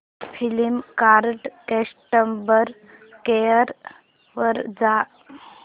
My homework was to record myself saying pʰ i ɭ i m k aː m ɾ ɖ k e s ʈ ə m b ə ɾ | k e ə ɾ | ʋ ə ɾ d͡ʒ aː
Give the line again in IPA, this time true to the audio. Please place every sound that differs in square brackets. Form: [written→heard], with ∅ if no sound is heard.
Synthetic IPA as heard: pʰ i [ɭ→l] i m k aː [m→∅] ɾ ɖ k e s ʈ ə m b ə ɾ | k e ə ɾ | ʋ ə ɾ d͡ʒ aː